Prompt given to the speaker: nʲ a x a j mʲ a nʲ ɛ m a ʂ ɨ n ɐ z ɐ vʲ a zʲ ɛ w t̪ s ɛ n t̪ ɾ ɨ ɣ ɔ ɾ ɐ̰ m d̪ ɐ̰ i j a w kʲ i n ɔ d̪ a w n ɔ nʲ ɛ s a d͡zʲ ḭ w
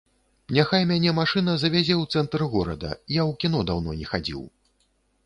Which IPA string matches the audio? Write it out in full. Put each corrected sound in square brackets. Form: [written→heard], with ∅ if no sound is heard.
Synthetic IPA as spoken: nʲ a x a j mʲ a nʲ ɛ m a ʂ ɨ n ɐ z ɐ vʲ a zʲ ɛ w t̪ s ɛ n t̪ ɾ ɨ ɣ ɔ ɾ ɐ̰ [m→∅] d̪ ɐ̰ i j a w kʲ i n ɔ d̪ a w n ɔ nʲ ɛ [s→x] a d͡zʲ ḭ w